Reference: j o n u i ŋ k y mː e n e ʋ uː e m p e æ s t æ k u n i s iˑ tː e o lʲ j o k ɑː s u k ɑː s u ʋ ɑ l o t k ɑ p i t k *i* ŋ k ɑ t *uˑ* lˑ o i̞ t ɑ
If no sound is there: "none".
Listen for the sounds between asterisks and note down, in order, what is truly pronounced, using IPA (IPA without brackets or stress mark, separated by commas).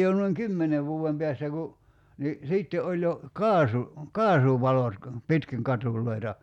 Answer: i, uˑ